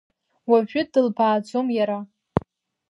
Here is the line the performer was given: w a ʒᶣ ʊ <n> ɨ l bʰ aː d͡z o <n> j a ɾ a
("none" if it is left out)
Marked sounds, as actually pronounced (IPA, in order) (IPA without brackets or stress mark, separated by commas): d, m